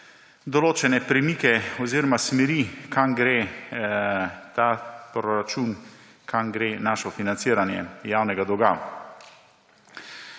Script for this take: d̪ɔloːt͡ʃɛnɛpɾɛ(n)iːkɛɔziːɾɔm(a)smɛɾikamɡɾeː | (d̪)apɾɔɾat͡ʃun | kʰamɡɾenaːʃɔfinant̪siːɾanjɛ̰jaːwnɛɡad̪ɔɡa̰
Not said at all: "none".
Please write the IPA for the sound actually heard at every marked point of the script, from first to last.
m, a, t̪

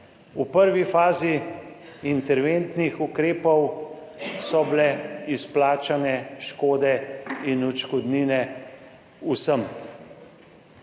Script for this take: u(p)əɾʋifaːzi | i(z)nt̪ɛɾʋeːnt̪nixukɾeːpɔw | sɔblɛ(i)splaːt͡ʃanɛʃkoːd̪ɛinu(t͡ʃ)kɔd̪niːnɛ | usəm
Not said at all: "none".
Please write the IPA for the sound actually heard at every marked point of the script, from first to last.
p, none, i, t͡ʃ

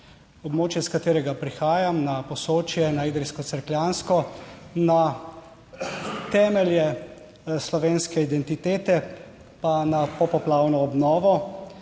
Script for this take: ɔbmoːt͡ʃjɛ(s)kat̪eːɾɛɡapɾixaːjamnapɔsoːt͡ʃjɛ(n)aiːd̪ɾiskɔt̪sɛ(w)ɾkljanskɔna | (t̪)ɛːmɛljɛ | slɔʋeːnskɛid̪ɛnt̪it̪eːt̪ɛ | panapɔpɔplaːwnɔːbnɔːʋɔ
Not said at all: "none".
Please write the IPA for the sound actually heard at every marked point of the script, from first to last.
s, n, none, t̪

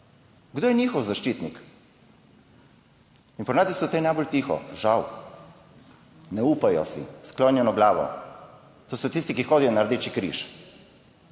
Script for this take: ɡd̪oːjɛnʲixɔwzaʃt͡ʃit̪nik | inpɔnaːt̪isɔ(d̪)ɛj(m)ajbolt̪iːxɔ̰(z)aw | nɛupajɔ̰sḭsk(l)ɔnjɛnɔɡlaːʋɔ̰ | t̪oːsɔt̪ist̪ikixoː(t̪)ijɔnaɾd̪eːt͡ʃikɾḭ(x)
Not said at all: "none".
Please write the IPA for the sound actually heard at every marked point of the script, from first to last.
t̪, n, ʒ, l, d̪, ʃ

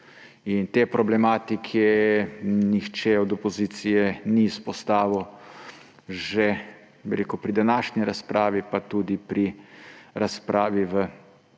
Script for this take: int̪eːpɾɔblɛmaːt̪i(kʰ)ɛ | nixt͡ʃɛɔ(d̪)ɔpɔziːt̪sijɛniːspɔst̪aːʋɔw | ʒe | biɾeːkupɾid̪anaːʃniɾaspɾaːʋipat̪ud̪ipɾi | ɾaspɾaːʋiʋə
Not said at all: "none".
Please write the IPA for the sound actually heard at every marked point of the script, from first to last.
kʰ, d̪

